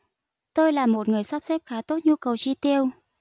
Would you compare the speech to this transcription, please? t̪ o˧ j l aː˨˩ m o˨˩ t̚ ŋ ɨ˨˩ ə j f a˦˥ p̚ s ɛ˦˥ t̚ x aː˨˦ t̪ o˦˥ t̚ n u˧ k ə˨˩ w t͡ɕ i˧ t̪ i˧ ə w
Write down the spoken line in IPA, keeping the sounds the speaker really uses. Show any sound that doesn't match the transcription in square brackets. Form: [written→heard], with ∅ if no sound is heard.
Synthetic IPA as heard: t̪ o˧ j l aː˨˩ m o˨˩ t̚ ŋ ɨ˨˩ ə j [f→s] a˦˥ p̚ s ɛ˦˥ [t̚→p̚] x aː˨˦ t̪ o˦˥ t̚ [n→ɲ] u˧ k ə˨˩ w t͡ɕ i˧ t̪ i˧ ə w